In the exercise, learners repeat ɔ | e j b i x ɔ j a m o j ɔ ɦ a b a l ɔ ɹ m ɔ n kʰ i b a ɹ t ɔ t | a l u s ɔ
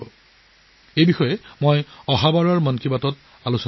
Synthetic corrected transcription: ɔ | e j b i x ɔ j ɛ m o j ɔ ɦ a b a ɹ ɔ ɹ m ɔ n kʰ i b a t ɔ t | a l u s ɔ